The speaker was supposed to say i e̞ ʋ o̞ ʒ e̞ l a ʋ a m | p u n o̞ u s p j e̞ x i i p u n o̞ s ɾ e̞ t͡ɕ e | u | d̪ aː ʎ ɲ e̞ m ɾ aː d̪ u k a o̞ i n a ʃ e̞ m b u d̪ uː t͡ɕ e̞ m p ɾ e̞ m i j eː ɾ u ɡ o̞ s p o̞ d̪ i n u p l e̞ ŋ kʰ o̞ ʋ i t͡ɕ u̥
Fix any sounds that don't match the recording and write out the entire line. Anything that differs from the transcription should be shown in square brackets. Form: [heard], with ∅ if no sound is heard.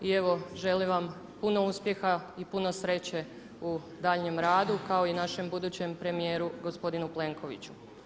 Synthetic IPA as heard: i e̞ ʋ o̞ ʒ e̞ l [i] ʋ a m | p u n o̞ u s p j e̞ x [a] i p u n o̞ s ɾ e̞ t͡ɕ e | u | d̪ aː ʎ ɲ e̞ m ɾ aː d̪ u k a o̞ i n a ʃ e̞ m b u d̪ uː t͡ɕ e̞ m p ɾ e̞ m i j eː ɾ u ɡ o̞ s p o̞ d̪ i n u p l e̞ ŋ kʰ o̞ ʋ i t͡ɕ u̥